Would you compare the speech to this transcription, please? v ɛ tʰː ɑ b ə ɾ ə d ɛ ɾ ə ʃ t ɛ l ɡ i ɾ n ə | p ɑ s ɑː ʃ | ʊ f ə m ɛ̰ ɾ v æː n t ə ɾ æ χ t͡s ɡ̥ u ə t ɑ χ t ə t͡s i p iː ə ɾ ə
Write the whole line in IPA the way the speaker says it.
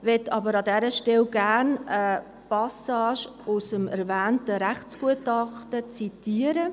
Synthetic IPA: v ɛ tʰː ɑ b ə ɾ ɑ d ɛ ɾ ə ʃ t ɛ l ɡ æ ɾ n ə | p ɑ s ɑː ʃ | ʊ s ə m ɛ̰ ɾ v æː n t ə ɾ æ χ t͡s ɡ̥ u ə t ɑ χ t ə t͡s i t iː ə ɾ ə

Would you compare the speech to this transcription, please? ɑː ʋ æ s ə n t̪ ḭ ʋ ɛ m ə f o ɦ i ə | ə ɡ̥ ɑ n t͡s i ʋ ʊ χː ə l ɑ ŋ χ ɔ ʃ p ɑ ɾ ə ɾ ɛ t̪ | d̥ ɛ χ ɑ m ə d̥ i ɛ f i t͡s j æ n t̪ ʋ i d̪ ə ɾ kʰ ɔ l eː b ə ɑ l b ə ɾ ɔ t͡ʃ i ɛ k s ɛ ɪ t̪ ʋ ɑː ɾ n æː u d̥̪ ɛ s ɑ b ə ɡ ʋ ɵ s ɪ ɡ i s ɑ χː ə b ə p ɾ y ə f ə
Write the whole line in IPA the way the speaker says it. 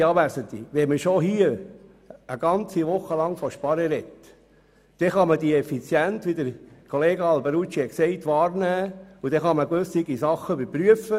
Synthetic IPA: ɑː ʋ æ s ə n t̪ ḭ ʋ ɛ m ə ʃ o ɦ i ə | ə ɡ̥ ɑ n t͡s i ʋ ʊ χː ə l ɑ ŋ f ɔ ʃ p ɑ ɾ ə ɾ ɛ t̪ | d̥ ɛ χ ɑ m ə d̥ i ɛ f i t͡s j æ n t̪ ʋ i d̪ ə ɾ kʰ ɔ l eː ɡ ə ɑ l b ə ɾ u t͡ʃ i ɛ k s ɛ ɪ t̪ ʋ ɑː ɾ n æː u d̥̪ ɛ χ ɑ m ə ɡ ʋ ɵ s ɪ ɡ i s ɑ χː ə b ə p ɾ y ə f ə

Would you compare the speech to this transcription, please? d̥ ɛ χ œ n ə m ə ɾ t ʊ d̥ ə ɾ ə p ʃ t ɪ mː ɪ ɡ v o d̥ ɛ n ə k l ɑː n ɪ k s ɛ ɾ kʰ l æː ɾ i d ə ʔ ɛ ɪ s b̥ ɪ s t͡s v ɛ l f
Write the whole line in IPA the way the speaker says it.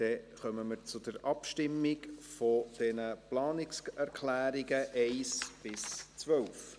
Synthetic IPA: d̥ ɛ χ œ m ə m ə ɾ t͡s ʊ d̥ ə ɾ ɑ p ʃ t ɪ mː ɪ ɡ f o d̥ ɛ n ə p l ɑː n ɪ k s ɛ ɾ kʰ l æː ɾ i ɡ ə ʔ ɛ ɪ s b̥ ɪ s t͡s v œ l f

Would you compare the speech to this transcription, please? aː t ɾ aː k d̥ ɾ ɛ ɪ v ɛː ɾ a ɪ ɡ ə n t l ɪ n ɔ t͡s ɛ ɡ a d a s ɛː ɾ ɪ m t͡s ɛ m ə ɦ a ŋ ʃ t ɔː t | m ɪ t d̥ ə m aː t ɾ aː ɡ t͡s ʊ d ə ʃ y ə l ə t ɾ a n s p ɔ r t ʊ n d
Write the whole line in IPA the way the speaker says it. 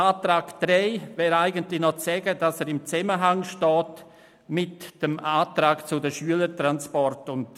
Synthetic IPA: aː t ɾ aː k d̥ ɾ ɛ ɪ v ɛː ɾ a ɪ ɡ ə n t l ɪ n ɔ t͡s ɛ ɡ ə d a s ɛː ɾ ɪ m t͡s ɛ m ə ɦ a ŋ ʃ t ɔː t | m ɪ t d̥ ə m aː t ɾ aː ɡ t͡s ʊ d ə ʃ y ə l ə t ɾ a n s p ɔ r t ʊ n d

